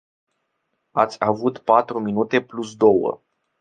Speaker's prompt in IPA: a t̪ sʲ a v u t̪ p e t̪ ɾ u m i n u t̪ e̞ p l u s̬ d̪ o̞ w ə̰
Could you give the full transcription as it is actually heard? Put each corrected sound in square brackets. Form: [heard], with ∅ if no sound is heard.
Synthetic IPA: a t̪ sʲ a v u t̪ p [a] t̪ ɾ u m i n u t̪ e̞ p l u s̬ d̪ o̞ w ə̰